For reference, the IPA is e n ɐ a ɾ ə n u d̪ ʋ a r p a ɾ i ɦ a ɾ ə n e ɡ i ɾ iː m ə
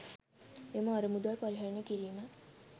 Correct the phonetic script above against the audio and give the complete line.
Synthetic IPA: e m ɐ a ɾ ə m u d̪ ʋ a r p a ɾ i ɦ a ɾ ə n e k i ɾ iː m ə